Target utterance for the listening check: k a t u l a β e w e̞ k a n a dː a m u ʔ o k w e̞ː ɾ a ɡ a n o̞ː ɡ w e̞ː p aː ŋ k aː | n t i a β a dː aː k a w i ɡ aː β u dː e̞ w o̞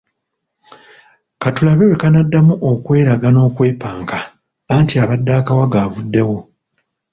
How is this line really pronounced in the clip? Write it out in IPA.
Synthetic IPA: k a t u l a β e w e̞ k a n a dː a m u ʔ o k w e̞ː ɾ a ɡ a n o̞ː k w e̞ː p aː ŋ k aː | n t i a β a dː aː k a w a ɡ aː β u dː e̞ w o̞